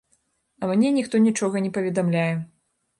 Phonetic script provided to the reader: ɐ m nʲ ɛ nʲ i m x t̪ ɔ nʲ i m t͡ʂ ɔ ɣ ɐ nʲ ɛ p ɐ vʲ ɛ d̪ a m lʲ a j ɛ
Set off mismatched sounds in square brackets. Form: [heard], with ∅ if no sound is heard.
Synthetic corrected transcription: ɐ m nʲ ɛ nʲ i [∅] x t̪ ɔ nʲ i [∅] t͡ʂ ɔ ɣ ɐ nʲ ɛ p ɐ vʲ ɛ d̪ a m lʲ a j ɛ